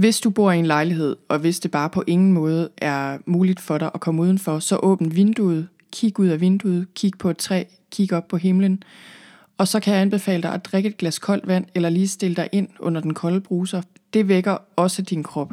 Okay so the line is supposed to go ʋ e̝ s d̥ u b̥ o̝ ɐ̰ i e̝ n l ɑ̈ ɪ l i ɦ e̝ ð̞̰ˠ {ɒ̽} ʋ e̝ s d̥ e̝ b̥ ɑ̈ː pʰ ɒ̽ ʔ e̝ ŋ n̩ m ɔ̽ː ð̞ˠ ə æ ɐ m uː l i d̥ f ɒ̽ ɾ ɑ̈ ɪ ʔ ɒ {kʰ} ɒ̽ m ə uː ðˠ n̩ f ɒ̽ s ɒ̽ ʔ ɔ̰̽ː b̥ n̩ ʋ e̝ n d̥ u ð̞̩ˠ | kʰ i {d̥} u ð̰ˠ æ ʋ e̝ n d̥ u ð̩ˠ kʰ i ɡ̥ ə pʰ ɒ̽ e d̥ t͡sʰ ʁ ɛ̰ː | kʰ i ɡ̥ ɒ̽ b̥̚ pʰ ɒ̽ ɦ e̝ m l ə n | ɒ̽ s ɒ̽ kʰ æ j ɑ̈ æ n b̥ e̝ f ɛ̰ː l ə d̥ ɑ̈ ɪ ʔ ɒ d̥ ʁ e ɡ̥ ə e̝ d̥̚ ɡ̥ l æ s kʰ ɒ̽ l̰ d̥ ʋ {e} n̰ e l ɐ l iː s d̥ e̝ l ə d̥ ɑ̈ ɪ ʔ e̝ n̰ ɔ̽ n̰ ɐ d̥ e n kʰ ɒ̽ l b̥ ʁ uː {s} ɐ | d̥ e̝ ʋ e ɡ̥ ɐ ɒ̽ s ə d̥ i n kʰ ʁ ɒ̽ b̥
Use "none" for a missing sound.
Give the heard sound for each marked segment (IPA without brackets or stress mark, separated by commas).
ɒ̽, kʰ, ɡ̥, æ, s